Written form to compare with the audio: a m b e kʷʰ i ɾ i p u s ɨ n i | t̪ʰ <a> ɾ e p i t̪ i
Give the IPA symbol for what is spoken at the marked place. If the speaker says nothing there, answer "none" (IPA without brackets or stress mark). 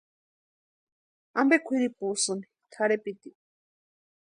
a